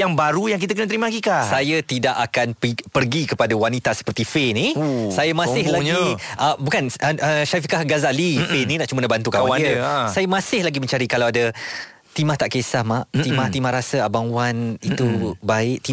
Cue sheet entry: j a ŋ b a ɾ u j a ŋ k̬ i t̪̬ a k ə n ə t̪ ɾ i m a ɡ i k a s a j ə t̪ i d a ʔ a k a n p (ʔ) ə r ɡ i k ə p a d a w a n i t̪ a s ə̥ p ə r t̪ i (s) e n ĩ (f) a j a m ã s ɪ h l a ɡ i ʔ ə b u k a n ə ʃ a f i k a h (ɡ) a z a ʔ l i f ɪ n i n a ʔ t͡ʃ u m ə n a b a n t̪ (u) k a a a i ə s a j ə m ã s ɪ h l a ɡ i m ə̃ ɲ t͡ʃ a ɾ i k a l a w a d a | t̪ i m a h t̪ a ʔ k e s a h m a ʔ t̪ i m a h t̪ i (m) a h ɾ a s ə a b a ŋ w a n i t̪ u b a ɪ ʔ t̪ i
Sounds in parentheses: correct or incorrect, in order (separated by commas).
incorrect, incorrect, incorrect, correct, correct, correct